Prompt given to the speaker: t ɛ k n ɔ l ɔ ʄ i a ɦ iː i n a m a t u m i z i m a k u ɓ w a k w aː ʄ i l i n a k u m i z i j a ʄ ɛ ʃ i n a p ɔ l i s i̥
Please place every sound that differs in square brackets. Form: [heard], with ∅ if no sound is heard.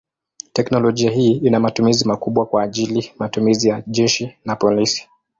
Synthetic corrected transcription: t ɛ k n ɔ l ɔ ʄ i a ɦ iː i n a m a t u m i z i m a k u ɓ w a k w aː ʄ i l i [m] a [t] u m i z i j a ʄ ɛ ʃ i n a p ɔ l i s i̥